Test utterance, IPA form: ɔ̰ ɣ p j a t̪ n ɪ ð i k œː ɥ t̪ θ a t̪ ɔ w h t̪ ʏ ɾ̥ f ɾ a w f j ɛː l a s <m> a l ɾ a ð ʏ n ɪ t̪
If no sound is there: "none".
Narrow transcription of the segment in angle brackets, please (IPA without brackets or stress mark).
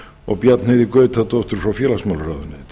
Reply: m